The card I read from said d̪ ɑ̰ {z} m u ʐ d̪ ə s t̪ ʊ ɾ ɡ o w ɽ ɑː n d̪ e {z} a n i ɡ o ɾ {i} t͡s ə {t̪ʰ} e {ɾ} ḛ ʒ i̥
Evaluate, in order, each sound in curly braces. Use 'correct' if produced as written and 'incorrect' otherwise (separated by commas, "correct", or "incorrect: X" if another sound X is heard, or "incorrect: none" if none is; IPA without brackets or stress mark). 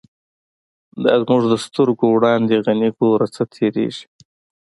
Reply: correct, incorrect: ɣ, incorrect: a, correct, correct